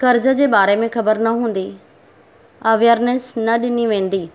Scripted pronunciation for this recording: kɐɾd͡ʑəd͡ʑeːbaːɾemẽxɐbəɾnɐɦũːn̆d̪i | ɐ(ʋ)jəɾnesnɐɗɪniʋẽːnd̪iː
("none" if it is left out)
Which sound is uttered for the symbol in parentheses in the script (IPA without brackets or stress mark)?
ʋ